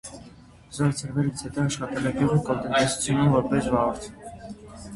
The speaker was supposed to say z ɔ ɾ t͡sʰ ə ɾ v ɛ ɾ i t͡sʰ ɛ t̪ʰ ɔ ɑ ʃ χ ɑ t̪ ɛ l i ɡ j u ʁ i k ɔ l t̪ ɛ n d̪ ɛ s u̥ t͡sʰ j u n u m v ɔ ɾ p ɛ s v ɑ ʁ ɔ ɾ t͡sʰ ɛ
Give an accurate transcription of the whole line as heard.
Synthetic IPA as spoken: z ɔ ɾ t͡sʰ ə ɾ v ɛ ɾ i t͡sʰ ɛ t̪ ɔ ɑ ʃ χ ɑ t̪ ɛ l ɛ ɡ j u ʁ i k ɔ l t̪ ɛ n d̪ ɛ s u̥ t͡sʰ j u n u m v ɔ ɾ p ɛ s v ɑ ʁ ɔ ɾ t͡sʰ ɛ